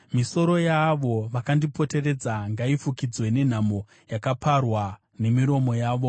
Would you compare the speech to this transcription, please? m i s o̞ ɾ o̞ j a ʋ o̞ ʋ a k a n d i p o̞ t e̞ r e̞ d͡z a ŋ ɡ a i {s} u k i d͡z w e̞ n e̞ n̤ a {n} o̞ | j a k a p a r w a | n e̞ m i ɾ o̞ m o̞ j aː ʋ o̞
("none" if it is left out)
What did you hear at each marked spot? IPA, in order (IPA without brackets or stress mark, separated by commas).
f, m